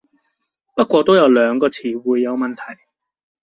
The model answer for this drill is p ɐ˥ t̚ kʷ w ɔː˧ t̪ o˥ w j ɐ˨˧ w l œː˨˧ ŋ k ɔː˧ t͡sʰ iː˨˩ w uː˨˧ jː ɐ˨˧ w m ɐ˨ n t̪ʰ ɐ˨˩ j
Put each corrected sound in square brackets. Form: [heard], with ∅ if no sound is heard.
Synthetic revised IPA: p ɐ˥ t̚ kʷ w ɔː˧ t̪ o˥ w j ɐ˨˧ w l œː˨˧ ŋ k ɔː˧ t͡sʰ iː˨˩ w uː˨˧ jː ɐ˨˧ w m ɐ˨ n t̪ʰ ɐ˨˩ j